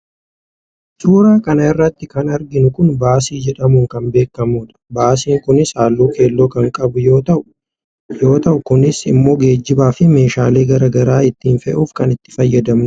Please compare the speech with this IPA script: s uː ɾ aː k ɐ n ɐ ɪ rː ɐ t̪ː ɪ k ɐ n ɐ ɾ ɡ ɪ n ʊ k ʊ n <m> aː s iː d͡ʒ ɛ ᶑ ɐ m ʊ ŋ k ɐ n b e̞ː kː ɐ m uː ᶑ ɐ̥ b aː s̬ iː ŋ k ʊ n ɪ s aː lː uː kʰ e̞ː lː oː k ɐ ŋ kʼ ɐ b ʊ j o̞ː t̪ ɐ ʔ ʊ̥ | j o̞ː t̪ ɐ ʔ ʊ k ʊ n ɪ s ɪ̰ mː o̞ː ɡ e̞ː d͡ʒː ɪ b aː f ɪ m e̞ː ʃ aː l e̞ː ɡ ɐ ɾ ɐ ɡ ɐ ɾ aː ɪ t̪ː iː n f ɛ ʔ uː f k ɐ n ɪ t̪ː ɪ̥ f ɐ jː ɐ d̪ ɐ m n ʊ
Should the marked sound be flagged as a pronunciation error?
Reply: yes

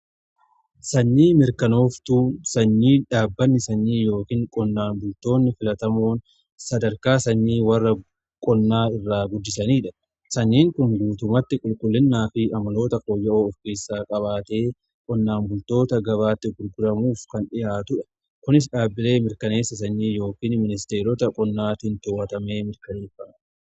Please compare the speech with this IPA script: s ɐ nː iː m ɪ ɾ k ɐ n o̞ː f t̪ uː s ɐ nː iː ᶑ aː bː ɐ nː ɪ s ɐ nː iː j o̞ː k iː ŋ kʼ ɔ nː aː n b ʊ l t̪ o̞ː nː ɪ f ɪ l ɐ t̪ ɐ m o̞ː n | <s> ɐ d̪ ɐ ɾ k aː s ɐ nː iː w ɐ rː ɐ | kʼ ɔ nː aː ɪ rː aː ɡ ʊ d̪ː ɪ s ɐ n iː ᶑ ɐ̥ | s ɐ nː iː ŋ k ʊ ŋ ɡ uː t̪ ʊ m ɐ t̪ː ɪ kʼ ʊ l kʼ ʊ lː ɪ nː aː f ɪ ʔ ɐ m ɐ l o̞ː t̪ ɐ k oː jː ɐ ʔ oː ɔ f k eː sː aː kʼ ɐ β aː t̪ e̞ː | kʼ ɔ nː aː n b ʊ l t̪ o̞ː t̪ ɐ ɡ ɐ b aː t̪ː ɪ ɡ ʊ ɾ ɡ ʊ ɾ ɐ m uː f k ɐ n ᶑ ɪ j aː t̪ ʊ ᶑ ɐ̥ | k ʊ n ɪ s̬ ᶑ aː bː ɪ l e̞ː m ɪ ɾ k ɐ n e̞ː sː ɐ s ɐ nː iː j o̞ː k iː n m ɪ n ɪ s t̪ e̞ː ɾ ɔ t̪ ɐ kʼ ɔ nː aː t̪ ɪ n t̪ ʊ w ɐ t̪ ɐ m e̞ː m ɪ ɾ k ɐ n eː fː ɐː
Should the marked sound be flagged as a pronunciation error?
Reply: no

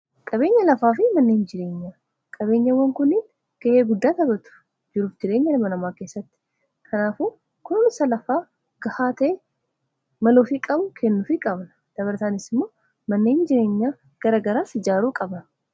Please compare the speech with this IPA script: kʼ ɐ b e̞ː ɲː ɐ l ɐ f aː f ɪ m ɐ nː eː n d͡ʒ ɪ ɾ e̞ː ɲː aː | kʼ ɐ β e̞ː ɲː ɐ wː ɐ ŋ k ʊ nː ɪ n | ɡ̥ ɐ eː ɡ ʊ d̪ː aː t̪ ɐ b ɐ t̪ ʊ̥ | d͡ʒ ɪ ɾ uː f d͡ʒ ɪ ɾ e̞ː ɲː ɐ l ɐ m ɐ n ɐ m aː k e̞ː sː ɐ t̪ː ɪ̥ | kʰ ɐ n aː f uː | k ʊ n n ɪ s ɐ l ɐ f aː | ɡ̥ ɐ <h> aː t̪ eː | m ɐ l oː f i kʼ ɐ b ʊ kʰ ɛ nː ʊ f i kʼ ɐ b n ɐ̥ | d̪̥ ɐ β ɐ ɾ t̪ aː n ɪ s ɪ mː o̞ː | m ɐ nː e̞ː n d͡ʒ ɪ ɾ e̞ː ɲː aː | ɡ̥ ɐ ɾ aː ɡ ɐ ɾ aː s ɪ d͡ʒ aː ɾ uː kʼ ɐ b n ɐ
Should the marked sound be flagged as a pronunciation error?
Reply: no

